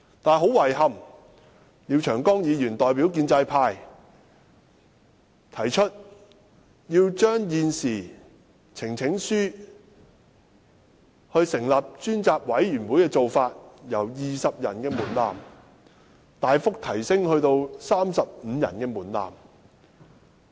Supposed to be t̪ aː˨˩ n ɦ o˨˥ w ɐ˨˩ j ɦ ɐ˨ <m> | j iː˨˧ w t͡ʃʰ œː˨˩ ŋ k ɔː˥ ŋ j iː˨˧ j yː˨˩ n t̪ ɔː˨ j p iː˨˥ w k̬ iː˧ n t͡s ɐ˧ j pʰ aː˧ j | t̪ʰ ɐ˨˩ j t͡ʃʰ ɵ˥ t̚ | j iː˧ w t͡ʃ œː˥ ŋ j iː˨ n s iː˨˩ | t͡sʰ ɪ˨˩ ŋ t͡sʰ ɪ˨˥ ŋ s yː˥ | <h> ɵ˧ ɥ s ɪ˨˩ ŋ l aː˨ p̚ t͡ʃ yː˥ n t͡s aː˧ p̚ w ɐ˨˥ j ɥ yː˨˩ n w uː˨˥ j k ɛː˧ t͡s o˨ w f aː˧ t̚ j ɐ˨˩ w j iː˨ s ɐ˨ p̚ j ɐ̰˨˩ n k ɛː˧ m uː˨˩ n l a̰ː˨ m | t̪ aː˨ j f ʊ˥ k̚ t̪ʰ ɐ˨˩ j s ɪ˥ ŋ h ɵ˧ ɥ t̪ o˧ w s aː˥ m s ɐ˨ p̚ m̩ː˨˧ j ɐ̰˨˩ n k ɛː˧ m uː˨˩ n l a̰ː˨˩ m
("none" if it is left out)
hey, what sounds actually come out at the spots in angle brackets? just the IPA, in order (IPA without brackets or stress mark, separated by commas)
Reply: m, h